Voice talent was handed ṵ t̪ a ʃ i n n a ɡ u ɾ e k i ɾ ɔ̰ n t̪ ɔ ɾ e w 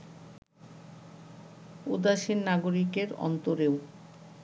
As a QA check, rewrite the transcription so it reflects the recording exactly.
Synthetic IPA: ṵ d̪ a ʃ i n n a ɡ o ɾ i k e ɾ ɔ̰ n t̪ o ɾ e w